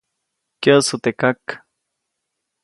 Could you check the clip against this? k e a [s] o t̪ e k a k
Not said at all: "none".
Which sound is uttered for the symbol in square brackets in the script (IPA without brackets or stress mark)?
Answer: s